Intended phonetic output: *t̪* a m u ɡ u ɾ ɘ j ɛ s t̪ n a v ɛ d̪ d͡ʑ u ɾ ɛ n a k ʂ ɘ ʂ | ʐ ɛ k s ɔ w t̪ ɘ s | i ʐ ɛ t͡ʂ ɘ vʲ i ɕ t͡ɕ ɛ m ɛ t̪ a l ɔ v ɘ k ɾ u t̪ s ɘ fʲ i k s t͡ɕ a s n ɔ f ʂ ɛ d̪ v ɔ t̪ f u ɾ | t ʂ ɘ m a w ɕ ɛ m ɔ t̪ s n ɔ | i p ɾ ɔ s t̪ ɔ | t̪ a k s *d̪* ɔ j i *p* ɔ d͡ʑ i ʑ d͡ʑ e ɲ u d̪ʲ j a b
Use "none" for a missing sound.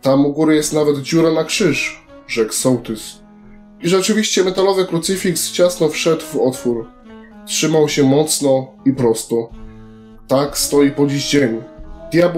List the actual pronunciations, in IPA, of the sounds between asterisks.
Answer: t̪, t̪, p

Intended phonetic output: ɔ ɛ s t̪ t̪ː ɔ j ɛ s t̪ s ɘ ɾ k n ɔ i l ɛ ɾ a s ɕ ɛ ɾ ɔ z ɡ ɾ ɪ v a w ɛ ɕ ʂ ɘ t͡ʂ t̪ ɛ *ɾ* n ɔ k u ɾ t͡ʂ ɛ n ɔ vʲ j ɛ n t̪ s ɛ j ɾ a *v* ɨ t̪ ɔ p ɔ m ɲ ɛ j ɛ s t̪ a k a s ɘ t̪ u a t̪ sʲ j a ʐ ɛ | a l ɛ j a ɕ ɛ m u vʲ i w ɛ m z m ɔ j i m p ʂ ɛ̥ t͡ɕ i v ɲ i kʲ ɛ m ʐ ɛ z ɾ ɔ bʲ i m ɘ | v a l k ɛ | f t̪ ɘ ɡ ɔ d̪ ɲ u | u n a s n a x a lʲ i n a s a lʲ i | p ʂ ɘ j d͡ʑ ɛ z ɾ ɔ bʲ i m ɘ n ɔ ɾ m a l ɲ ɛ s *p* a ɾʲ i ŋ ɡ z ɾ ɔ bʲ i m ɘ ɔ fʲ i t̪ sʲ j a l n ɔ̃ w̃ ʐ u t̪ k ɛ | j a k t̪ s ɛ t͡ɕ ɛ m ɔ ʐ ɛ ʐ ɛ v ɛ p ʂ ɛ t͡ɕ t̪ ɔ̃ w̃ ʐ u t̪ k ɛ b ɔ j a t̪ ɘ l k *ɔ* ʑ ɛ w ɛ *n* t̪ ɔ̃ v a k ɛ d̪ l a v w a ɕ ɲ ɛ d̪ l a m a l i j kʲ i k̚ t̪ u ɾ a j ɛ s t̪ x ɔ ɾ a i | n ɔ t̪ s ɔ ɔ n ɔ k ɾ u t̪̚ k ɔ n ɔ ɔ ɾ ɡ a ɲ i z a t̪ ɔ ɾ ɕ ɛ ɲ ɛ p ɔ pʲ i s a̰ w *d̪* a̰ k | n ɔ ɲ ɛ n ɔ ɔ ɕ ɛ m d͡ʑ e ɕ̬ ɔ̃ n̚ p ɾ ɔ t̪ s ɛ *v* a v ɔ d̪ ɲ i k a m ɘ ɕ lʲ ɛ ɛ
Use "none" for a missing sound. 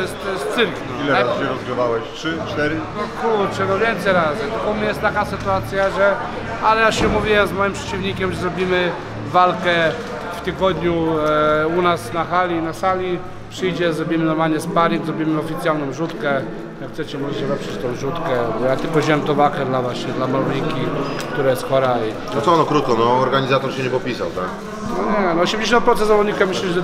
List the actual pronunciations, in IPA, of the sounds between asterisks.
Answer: ɾ, z, p, ɔ, m, t̪, z

